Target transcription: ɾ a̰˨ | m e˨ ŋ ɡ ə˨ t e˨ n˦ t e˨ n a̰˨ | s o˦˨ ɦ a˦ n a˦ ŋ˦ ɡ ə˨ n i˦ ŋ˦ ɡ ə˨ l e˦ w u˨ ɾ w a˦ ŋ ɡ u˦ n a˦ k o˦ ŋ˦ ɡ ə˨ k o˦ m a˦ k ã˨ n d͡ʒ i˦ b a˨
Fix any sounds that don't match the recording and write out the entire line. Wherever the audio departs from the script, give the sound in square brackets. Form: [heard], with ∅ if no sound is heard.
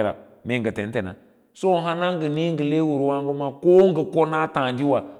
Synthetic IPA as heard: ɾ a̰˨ | m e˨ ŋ ɡ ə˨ t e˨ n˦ t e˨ n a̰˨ | s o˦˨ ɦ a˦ n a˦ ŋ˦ ɡ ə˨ n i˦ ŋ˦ ɡ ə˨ l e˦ w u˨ ɾ w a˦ ŋ ɡ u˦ [m] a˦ k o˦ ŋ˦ ɡ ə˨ k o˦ [n] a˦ [t] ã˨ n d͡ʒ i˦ [w] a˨

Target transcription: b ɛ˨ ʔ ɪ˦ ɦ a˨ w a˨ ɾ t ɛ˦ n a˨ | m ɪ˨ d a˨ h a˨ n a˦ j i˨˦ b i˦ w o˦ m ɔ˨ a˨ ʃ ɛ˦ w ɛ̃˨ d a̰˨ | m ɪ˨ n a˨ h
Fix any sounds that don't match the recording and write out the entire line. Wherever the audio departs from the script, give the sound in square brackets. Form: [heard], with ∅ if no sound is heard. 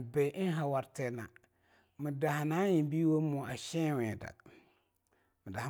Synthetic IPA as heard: b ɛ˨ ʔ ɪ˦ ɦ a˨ w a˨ ɾ t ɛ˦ n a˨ | m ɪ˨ d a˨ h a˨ n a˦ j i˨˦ b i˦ w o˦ m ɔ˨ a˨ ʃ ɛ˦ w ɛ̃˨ d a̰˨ | m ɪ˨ [d] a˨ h

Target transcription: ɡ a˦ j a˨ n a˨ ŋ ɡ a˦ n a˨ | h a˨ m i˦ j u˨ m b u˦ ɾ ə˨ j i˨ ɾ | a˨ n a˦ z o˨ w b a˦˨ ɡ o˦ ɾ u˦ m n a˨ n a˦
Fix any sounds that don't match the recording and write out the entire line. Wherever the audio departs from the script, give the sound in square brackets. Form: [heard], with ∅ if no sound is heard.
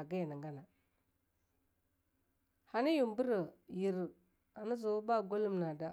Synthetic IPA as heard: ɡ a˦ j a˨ n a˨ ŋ ɡ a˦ n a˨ | h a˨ [n] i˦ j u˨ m b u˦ ɾ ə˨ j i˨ ɾ | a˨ n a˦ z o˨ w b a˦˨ ɡ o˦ [l] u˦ m n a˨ [d] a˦

